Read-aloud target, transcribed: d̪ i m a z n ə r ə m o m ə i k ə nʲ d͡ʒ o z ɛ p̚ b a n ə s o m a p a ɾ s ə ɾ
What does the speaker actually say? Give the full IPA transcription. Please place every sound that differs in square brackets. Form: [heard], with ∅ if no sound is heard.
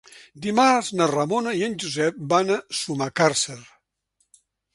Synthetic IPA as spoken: d̪ i m a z n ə r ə m o [n] ə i [∅] ə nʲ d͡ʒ [u] z ɛ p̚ b a n ə s [u] m a [k] a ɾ s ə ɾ